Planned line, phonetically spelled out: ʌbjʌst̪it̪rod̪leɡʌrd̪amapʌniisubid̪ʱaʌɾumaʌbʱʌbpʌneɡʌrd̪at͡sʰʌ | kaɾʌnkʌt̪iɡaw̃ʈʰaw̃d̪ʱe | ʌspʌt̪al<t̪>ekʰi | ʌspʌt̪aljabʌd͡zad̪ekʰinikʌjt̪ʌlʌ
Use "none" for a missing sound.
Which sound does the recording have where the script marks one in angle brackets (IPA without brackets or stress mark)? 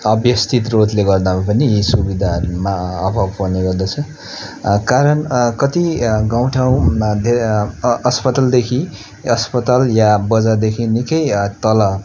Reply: d̪